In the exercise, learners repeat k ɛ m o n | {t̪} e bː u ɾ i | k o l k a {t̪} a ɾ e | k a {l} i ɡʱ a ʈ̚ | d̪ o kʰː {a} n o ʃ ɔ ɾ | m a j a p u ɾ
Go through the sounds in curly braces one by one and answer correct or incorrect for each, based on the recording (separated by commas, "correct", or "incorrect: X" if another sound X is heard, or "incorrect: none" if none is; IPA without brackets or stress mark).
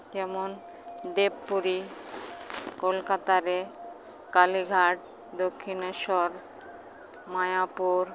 incorrect: d̪, correct, correct, incorrect: i